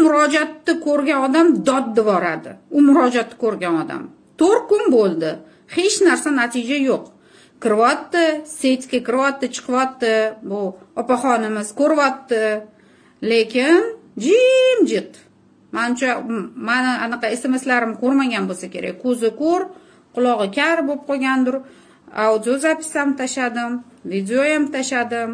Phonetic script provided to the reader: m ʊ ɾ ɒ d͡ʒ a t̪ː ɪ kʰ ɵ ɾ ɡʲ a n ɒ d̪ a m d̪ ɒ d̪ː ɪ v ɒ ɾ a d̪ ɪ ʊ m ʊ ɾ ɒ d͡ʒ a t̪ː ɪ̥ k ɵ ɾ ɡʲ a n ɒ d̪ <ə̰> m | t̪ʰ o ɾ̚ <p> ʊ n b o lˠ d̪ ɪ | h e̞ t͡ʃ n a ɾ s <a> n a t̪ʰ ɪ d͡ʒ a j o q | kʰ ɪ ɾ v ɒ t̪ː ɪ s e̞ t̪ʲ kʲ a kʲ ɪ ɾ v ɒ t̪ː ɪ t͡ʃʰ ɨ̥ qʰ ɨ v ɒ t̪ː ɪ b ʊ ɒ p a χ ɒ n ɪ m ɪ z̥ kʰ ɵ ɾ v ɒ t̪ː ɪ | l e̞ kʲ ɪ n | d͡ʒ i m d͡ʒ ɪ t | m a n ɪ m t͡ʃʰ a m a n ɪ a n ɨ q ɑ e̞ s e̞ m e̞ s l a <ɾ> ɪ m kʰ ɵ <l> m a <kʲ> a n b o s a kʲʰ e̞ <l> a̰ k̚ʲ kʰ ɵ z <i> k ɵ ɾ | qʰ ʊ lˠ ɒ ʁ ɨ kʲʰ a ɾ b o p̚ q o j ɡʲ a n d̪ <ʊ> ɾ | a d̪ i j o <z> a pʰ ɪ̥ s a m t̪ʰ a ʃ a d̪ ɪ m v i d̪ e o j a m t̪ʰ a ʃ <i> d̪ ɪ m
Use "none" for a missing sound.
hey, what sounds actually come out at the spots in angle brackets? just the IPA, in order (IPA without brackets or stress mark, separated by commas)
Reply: a̰, k, a, ɾ, ɾ, ɡʲ, ɾ, ɪ, ʊ, z, a